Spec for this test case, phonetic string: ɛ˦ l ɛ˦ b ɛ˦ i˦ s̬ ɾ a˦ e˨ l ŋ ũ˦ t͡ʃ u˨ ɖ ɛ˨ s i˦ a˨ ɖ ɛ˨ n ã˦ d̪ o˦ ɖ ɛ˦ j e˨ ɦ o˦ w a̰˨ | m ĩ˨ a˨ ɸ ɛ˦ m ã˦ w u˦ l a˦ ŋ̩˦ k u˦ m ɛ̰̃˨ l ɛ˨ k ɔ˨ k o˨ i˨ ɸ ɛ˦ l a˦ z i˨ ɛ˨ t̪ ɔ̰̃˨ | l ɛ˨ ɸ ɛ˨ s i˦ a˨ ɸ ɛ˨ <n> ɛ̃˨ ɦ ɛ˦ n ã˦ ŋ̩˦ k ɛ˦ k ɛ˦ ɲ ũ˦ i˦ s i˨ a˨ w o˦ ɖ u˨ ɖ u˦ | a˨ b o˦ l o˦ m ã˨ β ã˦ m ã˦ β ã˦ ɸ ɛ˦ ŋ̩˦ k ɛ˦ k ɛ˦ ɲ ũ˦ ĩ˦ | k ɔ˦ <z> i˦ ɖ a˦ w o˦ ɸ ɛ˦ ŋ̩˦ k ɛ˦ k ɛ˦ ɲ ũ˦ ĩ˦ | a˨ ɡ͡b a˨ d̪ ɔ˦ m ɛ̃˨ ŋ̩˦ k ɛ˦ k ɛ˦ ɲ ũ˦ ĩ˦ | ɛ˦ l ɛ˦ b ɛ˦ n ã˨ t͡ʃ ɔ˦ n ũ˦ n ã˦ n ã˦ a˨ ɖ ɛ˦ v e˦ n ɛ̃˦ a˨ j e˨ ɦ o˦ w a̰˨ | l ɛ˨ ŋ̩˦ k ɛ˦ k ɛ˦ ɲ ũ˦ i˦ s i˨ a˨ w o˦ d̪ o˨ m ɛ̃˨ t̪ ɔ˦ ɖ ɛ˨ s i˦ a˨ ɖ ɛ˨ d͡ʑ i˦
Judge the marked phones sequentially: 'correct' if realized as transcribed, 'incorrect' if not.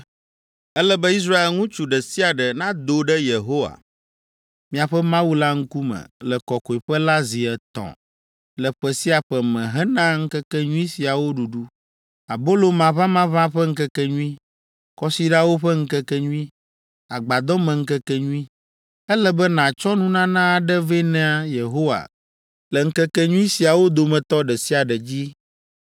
incorrect, incorrect

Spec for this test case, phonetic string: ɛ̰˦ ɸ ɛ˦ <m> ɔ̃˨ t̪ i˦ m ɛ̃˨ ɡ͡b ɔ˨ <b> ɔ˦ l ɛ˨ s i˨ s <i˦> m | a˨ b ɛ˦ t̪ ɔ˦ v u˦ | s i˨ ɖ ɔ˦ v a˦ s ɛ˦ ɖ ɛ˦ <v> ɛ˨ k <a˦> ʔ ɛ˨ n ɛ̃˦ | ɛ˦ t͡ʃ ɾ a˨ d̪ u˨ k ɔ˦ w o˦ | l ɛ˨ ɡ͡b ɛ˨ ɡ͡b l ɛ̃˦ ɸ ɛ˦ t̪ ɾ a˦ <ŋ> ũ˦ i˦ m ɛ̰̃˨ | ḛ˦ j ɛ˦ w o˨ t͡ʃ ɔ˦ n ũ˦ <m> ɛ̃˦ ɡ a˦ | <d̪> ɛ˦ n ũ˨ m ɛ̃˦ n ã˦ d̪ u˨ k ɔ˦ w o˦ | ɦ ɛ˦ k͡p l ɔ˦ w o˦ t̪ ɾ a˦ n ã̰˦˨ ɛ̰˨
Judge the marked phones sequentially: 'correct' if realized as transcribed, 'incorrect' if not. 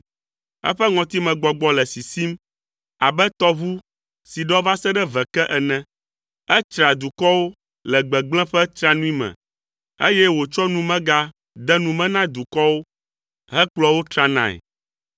incorrect, incorrect, correct, correct, incorrect, incorrect, correct, correct

